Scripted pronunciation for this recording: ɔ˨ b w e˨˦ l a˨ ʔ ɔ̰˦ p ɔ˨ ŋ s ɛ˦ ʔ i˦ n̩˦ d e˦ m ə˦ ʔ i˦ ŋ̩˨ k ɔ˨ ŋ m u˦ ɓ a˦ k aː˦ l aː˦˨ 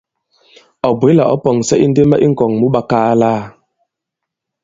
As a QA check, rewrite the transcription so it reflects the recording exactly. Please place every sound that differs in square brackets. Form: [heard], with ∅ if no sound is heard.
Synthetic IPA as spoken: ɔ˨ b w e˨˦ l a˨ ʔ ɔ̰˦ p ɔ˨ ŋ s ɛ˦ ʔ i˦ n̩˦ d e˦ m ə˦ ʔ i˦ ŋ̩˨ k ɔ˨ ŋ m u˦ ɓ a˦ k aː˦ l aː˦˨

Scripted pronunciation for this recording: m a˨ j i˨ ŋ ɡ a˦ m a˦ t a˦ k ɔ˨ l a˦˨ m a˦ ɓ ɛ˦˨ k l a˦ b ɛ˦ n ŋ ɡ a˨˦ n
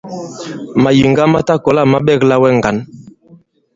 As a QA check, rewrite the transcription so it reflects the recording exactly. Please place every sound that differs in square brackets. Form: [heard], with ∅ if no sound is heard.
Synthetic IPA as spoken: m a˨ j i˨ ŋ ɡ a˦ m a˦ t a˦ k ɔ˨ l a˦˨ m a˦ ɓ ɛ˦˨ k l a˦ [w] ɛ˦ [∅] ŋ ɡ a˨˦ n

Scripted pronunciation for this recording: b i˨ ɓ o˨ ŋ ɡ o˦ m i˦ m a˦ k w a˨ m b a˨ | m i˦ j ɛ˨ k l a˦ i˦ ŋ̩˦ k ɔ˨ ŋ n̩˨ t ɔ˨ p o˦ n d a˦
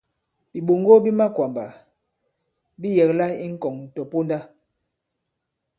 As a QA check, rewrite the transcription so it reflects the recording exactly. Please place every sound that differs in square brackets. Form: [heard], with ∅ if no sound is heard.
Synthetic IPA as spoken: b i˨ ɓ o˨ ŋ ɡ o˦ [b] i˦ m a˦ k w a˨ m b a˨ | [b] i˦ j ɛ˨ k l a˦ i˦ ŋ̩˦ k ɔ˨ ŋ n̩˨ t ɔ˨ p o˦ n d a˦

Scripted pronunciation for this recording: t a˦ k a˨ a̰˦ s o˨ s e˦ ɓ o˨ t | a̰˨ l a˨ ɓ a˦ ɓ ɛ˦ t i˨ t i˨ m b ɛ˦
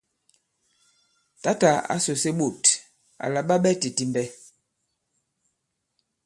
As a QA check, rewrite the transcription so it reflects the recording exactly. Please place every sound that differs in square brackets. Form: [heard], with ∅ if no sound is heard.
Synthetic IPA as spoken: t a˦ [t] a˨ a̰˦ s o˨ s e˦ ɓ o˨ t | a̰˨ l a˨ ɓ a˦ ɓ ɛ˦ t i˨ t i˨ m b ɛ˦

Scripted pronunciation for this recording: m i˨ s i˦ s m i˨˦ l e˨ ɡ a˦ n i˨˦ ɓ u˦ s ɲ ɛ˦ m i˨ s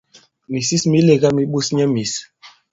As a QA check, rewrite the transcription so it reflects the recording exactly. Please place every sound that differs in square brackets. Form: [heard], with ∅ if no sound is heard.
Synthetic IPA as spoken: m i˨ s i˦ s m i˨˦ l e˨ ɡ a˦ [m] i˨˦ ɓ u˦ s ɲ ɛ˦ m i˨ s

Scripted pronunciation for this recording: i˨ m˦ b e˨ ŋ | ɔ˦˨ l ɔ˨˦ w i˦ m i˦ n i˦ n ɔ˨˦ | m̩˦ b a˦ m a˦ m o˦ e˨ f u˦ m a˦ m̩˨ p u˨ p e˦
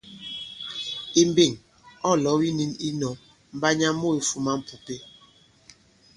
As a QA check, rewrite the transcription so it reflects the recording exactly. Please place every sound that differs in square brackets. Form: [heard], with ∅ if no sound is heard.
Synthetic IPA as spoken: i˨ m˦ b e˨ ŋ | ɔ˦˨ l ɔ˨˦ w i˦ [n] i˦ n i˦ n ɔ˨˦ | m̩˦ b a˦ [ɲ] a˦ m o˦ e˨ f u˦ m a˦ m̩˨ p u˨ p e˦

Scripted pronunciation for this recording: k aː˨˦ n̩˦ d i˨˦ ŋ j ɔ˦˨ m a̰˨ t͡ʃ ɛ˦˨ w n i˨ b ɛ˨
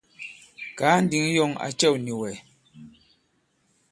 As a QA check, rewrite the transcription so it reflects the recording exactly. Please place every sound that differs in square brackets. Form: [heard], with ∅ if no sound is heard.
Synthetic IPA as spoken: k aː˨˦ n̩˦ d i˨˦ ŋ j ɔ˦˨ [ŋ] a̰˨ t͡ʃ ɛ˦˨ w n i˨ [w] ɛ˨

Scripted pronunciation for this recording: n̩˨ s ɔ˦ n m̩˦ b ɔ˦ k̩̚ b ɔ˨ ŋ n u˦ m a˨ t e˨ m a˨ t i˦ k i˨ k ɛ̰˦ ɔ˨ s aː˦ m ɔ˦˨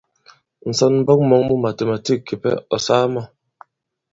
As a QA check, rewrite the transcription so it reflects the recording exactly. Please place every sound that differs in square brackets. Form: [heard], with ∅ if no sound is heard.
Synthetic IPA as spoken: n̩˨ s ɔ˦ n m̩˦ b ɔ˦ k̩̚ [m] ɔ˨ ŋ [m] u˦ m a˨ t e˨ m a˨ t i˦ k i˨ [p] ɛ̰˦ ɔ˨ s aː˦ m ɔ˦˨

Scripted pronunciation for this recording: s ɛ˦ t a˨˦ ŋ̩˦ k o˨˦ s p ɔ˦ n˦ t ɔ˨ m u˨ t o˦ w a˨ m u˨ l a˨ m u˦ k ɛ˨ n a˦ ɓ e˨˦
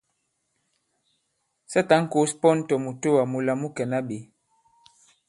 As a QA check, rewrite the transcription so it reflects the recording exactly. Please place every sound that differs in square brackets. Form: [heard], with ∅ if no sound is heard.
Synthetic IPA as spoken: s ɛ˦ t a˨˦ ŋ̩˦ k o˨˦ s p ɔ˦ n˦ t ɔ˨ m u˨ t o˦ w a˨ m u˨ l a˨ m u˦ k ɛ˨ n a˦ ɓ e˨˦

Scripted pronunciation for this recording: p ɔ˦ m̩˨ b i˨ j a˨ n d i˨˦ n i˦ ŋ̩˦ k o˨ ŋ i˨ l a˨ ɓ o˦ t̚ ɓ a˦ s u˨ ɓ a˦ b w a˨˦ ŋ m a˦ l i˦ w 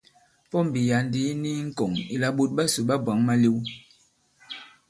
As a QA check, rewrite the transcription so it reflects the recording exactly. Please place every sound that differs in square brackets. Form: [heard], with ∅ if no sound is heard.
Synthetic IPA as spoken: p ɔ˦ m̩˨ b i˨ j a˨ n d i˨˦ n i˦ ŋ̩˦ k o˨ ŋ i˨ l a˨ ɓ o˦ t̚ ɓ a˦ s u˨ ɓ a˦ b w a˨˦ ŋ m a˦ l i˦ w

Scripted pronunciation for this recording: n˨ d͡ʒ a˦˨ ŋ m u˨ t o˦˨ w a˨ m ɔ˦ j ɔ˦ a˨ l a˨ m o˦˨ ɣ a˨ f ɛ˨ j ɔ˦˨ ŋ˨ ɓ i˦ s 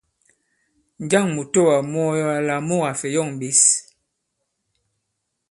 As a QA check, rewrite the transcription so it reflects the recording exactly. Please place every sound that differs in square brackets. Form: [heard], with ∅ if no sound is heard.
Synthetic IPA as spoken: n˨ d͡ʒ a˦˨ ŋ m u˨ t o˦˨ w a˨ m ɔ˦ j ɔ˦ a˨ l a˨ m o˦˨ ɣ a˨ f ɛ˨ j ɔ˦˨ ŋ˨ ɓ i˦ s

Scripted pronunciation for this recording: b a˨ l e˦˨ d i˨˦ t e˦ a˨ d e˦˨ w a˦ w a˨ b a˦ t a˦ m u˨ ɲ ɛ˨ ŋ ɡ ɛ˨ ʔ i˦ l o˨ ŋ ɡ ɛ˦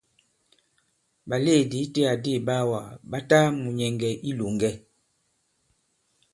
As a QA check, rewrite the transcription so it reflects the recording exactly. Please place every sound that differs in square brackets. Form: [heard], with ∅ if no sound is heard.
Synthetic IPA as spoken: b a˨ l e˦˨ d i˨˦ t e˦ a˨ d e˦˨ [b] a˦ w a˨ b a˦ t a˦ m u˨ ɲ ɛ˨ ŋ ɡ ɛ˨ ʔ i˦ l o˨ ŋ ɡ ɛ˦

